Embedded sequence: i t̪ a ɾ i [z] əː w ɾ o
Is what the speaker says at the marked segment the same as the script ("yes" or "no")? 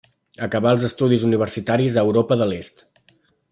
yes